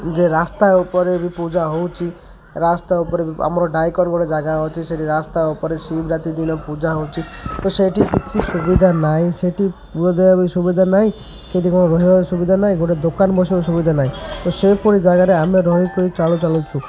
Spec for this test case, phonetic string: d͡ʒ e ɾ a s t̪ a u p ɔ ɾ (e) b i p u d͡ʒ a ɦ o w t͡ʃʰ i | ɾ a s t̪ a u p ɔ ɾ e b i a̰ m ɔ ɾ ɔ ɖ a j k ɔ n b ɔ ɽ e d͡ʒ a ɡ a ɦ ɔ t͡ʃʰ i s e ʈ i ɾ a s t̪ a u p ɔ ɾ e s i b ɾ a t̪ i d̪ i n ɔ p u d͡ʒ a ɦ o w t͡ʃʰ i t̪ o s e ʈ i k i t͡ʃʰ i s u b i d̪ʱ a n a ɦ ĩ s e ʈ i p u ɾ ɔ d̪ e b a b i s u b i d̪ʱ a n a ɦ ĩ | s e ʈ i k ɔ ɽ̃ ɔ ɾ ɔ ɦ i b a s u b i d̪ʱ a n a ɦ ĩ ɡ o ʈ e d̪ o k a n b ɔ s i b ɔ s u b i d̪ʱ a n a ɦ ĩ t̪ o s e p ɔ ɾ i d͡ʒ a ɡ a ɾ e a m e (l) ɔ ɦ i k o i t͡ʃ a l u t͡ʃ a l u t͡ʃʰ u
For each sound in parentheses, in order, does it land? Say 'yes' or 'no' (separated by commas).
yes, no